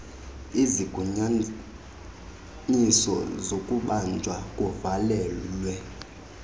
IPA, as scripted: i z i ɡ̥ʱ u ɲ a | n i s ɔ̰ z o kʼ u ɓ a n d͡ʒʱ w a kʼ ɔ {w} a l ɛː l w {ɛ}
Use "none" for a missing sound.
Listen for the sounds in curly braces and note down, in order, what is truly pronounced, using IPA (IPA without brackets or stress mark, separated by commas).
v, ɛ